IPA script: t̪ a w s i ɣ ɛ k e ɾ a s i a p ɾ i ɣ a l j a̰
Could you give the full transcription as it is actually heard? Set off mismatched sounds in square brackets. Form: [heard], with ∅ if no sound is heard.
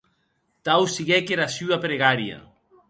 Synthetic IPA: t̪ a w s i ɣ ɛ k e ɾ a s [y] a p ɾ [e] ɣ a [ɾ] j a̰